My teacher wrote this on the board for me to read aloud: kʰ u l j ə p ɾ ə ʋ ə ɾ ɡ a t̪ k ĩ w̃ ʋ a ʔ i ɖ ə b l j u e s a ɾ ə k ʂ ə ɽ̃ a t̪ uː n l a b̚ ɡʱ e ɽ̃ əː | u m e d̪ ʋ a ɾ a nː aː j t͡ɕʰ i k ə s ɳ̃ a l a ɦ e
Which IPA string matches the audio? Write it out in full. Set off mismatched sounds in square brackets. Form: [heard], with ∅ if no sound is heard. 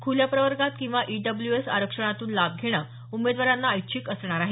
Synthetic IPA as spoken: kʰ u l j [a] p ɾ ə ʋ ə ɾ ɡ a t̪ k ĩ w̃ ʋ a ʔ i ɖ ə b l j u e s a ɾ ə k ʂ ə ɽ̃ a t̪ uː n l a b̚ ɡʱ e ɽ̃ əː | u m e d̪ ʋ a ɾ a nː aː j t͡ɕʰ i k ə s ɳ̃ a [ɾ] a ɦ e